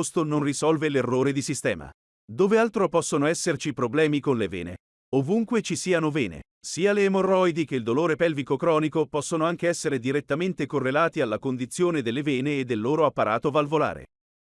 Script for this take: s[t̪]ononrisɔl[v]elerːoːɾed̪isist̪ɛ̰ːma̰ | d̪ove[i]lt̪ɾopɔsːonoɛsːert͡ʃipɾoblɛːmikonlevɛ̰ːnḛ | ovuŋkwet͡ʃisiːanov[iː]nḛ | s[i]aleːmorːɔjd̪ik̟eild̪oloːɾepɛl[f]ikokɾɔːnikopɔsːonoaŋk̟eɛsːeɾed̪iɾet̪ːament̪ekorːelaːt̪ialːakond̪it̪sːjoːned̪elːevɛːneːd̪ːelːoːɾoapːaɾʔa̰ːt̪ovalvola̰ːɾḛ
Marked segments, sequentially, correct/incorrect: correct, correct, incorrect, incorrect, incorrect, incorrect

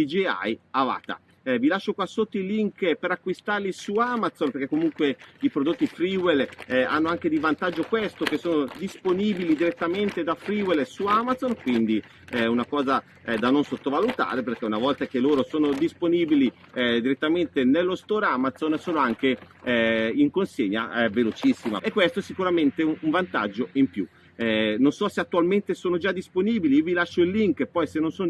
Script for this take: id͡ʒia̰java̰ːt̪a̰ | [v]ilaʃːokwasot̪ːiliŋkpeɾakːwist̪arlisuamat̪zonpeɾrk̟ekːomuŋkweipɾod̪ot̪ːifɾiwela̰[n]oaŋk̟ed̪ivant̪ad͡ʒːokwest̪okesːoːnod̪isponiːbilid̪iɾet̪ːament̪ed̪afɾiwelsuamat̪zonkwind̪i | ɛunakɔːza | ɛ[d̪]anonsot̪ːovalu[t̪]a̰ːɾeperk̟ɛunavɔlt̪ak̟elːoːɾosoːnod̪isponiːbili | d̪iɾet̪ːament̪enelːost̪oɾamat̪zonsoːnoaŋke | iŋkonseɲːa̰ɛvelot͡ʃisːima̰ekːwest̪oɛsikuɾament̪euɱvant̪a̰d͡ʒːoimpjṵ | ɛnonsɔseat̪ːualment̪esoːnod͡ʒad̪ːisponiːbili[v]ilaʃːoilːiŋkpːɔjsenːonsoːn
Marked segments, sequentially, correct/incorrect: correct, incorrect, correct, correct, correct

